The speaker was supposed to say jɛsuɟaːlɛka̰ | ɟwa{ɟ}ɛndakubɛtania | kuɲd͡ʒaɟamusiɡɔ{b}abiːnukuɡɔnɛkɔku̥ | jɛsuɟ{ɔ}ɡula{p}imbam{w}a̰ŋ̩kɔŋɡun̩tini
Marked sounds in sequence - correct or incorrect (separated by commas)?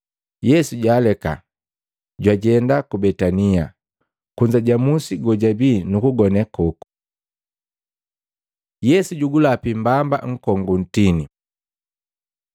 correct, incorrect, incorrect, correct, incorrect